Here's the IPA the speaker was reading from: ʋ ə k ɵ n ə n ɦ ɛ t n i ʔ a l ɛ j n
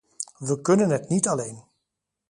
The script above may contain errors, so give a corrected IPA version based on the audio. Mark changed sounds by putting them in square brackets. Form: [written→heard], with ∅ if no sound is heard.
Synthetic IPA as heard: ʋ ə k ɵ n ə n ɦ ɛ t n i [ʔ→t] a l [ɛ→e] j n